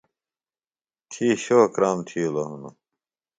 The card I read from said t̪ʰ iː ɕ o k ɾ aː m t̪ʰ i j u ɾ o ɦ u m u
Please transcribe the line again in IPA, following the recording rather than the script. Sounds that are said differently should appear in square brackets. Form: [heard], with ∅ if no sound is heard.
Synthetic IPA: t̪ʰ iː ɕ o k ɾ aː m t̪ʰ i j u [l] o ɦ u [n] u